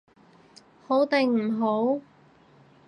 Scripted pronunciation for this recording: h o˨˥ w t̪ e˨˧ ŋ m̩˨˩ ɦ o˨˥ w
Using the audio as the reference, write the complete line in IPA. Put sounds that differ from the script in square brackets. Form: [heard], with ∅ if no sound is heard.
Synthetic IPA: h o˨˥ w t̪ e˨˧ ŋ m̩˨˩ ɦ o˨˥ w